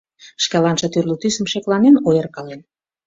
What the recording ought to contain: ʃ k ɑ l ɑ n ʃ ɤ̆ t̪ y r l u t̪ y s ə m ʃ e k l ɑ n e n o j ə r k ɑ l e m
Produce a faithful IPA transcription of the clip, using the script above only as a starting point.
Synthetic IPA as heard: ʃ k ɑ l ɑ n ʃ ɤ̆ t̪ y r l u t̪ y s ə m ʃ e k l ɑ n e n o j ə r k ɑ l e n